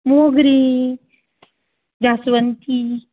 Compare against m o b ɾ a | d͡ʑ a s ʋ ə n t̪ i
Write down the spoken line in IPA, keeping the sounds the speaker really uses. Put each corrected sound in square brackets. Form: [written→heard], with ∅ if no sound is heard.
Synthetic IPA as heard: m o [b→ɡ] ɾ [a→i] | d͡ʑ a s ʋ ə n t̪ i